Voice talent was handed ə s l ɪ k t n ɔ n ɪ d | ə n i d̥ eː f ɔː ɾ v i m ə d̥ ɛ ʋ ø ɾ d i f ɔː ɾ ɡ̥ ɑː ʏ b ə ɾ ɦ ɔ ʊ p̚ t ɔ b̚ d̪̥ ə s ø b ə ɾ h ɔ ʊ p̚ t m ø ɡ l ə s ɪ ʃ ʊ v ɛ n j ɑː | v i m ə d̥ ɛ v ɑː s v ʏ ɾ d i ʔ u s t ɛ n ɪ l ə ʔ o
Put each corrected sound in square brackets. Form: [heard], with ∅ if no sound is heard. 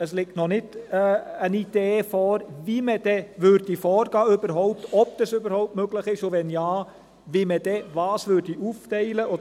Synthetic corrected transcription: ə s l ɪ k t n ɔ n ɪ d | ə n i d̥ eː f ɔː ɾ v i m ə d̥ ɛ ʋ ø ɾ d i f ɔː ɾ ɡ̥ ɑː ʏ b ə ɾ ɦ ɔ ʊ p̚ t ɔ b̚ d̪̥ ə s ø b ə ɾ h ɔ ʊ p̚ t m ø ɡ l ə [χ] ɪ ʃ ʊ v ɛ n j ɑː | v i m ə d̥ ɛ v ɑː s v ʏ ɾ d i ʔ u [f] t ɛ [∅] ɪ l ə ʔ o